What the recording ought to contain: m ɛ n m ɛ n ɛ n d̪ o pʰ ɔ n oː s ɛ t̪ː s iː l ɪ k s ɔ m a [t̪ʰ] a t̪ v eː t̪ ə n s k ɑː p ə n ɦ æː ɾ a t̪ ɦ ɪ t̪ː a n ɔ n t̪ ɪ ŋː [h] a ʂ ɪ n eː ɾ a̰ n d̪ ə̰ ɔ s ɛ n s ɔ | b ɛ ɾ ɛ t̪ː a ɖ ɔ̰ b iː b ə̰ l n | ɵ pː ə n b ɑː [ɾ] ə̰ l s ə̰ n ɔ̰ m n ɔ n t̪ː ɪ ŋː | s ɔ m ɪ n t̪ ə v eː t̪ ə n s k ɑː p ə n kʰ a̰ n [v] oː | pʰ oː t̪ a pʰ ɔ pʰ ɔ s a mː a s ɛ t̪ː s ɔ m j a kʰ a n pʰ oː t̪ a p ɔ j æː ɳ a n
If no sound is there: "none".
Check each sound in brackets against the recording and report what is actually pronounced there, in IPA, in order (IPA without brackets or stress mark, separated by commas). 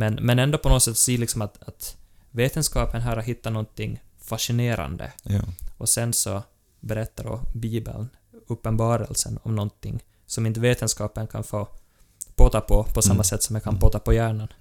t̪, f, ɾ, f